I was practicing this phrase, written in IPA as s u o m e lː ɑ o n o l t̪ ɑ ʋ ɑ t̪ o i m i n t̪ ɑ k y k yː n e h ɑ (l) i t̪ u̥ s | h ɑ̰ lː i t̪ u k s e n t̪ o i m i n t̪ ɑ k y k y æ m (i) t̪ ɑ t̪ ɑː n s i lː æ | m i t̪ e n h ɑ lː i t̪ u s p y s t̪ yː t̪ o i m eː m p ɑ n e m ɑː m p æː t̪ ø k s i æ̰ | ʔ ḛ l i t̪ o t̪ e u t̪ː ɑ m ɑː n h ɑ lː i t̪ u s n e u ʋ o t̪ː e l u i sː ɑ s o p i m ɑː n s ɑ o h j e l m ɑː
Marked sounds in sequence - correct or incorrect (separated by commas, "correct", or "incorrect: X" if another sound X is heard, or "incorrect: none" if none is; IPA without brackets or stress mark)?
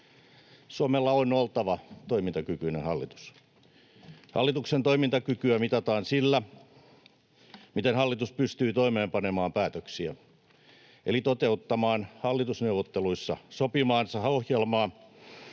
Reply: incorrect: lː, correct